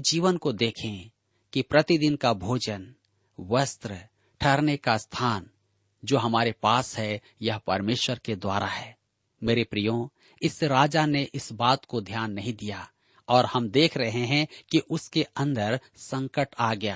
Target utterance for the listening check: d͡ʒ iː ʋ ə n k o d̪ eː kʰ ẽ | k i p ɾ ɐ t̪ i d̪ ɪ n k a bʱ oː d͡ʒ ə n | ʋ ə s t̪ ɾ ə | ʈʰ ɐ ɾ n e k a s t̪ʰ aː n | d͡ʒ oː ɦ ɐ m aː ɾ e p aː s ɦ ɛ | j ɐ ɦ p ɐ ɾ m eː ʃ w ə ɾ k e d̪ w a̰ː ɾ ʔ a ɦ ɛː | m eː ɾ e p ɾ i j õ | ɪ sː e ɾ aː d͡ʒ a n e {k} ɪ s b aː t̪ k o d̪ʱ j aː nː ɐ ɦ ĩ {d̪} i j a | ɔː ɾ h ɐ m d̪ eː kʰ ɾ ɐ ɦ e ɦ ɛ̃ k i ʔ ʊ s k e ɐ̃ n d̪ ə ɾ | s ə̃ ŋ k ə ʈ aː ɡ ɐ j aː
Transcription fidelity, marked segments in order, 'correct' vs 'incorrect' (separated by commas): incorrect, correct